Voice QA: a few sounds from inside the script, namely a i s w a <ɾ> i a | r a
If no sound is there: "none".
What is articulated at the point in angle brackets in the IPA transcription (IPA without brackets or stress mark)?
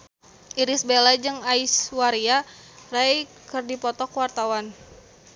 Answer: ɾ